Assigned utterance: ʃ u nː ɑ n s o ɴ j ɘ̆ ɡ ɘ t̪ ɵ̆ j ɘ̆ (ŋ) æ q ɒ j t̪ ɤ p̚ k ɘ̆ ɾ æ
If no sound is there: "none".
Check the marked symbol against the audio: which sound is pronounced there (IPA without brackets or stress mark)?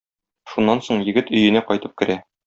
n